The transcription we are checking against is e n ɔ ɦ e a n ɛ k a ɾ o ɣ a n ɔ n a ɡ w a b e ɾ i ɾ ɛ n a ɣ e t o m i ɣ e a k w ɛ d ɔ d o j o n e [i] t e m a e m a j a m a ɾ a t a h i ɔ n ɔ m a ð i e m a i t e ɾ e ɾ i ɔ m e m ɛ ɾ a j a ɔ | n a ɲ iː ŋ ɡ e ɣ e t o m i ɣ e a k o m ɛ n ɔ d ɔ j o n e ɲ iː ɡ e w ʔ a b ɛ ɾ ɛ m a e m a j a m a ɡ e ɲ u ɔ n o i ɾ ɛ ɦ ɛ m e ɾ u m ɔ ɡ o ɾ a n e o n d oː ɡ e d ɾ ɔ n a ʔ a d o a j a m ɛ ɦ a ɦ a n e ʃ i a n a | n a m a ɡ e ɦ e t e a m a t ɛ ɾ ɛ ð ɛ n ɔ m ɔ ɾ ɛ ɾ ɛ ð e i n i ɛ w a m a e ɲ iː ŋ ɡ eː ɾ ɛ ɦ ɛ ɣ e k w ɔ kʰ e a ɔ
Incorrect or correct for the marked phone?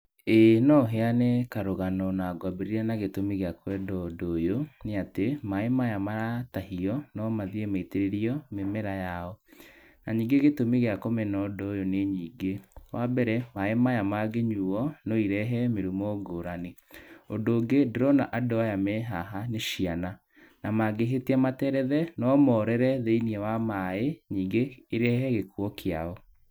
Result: incorrect: a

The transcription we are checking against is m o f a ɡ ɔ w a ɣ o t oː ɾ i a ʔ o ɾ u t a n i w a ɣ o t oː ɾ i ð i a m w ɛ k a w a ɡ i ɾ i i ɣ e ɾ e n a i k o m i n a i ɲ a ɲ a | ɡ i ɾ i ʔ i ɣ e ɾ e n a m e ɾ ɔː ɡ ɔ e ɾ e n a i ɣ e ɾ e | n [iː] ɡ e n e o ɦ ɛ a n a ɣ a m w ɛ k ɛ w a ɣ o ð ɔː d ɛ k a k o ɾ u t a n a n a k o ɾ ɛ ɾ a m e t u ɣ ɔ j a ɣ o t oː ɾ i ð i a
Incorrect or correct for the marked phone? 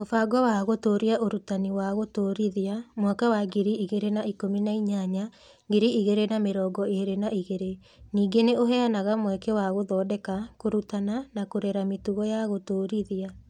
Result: correct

